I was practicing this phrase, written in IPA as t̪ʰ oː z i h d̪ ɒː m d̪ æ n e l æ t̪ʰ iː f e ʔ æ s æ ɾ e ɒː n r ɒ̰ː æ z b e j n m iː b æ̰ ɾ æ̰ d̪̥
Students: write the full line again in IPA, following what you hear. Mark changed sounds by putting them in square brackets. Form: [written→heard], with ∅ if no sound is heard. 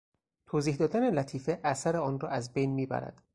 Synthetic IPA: t̪ʰ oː z [i→iː] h d̪ ɒː [m→∅] d̪ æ n e l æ t̪ʰ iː f e ʔ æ s æ ɾ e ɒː n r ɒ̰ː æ z b e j n m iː b æ̰ ɾ æ̰ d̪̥